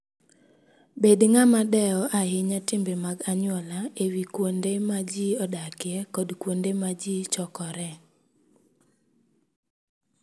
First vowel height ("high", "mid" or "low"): mid